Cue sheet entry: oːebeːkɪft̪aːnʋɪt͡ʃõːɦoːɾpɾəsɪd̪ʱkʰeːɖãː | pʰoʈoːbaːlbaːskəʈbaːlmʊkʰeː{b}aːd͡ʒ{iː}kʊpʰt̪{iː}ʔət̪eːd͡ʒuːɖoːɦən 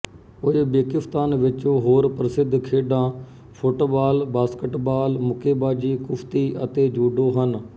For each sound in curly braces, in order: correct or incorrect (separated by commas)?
correct, correct, correct